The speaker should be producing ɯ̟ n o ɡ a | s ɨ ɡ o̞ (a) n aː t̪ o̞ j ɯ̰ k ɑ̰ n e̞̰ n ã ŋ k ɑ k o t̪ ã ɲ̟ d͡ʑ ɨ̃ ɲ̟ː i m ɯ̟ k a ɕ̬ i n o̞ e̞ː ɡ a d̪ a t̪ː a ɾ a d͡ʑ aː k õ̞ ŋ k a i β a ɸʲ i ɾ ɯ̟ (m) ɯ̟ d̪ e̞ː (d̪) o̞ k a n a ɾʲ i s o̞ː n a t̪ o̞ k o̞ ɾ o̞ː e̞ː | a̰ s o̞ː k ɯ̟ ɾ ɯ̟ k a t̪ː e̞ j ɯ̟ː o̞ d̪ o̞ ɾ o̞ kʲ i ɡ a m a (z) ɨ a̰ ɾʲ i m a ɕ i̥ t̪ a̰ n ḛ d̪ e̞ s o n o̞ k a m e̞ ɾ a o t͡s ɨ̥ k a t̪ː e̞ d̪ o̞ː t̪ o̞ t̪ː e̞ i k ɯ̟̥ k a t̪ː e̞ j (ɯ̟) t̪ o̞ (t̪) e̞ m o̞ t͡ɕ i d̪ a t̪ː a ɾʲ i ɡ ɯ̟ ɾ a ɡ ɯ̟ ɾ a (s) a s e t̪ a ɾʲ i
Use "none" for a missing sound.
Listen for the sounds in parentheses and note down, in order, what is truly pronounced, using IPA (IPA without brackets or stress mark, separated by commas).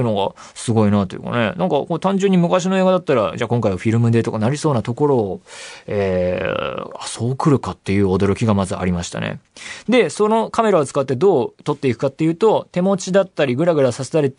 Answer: i, m, t̪, z, ɯ̟ː, t̪, s